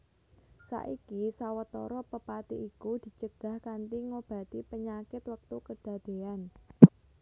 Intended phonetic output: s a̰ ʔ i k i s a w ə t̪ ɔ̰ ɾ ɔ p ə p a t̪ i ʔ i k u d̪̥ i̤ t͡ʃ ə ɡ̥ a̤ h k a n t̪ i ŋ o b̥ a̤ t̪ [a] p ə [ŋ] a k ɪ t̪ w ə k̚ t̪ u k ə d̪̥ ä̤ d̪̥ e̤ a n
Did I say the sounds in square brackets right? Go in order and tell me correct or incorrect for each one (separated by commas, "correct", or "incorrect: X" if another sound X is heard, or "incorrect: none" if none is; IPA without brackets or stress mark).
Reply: incorrect: i, incorrect: ɲ